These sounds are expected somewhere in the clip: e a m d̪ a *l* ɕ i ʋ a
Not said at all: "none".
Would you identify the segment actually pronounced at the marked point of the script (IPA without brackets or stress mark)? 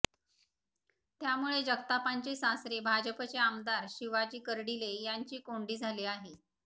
ɾ